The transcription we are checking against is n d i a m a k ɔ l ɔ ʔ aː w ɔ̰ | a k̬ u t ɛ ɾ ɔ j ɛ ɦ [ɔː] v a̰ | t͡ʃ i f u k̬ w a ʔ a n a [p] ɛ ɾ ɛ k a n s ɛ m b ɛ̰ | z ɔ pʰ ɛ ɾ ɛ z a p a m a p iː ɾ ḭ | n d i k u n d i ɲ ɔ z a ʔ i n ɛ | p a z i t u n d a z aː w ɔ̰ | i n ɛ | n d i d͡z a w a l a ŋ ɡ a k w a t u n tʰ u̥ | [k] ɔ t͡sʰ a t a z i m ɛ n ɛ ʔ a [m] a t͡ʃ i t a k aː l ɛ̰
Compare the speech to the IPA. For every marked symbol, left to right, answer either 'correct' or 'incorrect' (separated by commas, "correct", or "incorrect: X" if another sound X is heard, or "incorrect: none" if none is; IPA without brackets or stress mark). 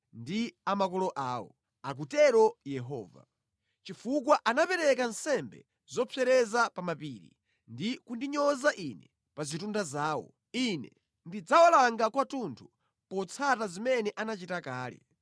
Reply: correct, correct, incorrect: p, incorrect: n